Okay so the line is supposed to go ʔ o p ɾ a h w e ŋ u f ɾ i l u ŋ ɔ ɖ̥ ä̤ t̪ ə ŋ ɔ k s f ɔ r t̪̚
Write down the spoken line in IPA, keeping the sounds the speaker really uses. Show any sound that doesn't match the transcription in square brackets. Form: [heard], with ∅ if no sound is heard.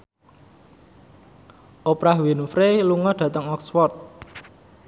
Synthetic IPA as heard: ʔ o p ɾ a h w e [n] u f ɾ [e] l u ŋ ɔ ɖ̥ ä̤ t̪ ə ŋ ɔ k s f ɔ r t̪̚